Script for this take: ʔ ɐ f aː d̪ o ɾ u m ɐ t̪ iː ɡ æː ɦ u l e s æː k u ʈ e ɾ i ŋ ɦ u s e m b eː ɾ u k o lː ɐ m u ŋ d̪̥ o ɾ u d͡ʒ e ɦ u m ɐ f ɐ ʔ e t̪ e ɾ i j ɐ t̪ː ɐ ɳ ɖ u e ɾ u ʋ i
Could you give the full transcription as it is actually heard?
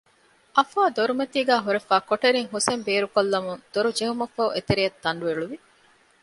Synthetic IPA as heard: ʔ ɐ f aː d̪ o ɾ u m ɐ t̪ iː ɡ æː ɦ u ɾ e f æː k o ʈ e ɾ i ŋ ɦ u s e m b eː ɾ u k o lː ɐ m u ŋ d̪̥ o ɾ u d͡ʒ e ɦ u m ɐ f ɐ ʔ e t̪ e ɾ i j ɐ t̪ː ɐ ɳ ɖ u e ɭ u ʋ i